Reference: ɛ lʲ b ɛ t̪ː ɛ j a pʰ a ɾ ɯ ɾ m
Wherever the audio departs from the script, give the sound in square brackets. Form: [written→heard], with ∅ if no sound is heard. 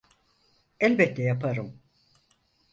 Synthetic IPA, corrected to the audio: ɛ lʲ b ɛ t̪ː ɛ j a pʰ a ɾ ɯ [ɾ→∅] m